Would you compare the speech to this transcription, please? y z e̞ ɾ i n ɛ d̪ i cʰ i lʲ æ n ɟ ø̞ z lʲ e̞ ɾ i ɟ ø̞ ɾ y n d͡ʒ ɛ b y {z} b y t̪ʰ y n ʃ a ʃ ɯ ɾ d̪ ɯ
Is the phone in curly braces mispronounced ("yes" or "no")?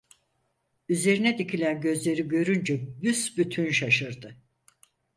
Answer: yes